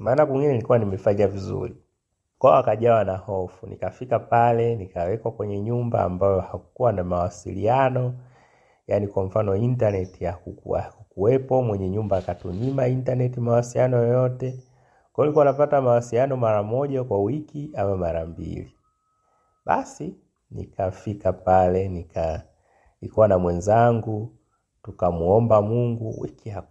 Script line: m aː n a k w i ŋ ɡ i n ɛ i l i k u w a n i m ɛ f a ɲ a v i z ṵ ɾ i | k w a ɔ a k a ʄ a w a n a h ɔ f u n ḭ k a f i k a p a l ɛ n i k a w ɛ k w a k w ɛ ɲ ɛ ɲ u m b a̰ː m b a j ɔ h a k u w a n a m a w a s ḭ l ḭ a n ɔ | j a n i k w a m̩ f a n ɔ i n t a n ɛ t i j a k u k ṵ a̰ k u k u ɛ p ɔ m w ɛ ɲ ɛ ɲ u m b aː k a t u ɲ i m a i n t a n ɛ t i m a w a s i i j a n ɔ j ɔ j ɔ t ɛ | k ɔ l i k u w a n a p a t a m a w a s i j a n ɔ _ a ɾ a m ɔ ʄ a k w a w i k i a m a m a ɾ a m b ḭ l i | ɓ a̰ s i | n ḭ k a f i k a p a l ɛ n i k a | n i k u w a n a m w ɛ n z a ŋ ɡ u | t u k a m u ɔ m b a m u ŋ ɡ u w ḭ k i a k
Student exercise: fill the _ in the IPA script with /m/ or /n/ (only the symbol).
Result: m